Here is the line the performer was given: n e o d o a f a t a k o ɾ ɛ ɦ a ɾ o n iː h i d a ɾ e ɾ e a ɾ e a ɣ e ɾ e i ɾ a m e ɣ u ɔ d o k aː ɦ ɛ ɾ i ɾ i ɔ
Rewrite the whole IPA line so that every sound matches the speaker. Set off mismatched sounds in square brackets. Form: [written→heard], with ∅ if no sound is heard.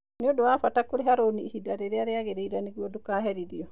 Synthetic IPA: n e o d o a f a t a k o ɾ [ɛ→e] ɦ a ɾ o n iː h i d a ɾ e ɾ e a ɾ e a ɣ e ɾ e i ɾ a [m→n] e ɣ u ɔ d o k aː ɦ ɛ ɾ i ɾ i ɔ